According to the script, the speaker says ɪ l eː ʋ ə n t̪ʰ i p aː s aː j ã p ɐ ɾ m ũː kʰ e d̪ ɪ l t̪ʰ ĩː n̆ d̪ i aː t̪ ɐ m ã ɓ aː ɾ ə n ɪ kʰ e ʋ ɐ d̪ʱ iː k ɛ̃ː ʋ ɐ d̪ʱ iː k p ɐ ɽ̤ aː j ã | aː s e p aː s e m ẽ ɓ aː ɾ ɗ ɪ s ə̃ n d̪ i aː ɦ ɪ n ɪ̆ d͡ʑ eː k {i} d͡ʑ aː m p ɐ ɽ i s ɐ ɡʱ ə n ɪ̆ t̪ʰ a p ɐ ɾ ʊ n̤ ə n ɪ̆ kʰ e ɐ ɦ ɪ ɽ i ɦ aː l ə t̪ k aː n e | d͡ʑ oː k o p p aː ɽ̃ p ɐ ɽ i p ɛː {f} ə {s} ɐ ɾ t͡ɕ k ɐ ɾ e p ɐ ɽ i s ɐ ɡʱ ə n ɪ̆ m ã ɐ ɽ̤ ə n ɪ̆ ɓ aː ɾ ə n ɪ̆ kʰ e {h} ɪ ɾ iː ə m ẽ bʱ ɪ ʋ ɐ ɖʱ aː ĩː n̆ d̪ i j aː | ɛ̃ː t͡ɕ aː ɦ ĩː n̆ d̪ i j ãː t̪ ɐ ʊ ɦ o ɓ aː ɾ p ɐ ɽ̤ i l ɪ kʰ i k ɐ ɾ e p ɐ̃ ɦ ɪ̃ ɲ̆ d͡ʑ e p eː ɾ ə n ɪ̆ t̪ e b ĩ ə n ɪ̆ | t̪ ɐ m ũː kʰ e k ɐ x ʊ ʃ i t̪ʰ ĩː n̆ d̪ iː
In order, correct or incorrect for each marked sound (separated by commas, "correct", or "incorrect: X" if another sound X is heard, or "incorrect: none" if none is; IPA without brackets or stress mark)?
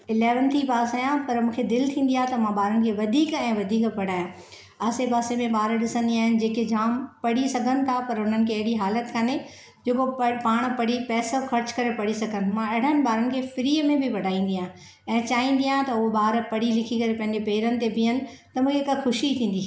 incorrect: e, incorrect: s, incorrect: x, incorrect: f